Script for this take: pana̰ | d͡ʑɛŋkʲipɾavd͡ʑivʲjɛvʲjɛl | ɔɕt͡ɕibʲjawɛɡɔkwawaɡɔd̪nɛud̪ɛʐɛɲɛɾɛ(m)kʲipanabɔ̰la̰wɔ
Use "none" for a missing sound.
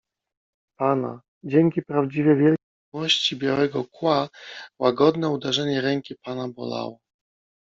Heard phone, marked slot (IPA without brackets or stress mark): ŋ